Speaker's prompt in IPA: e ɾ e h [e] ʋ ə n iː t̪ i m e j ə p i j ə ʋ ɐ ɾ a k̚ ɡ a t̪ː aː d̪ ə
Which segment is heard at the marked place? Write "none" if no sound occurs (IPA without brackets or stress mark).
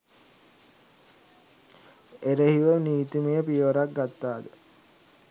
i